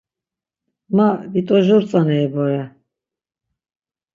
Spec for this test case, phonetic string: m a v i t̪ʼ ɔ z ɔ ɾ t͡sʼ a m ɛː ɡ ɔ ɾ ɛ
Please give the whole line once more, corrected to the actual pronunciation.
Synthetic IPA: m a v i t̪ʼ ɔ ʒ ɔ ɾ t͡sʼ a n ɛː b ɔ ɾ ɛ